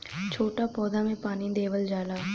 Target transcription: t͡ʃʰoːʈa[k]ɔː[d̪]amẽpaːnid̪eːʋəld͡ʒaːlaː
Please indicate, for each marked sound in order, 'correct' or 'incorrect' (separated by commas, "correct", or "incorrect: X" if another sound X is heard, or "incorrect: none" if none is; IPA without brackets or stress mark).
incorrect: p, correct